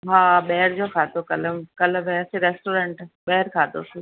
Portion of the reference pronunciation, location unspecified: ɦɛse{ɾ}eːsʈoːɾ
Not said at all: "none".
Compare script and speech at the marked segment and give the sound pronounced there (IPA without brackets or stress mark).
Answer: ɾ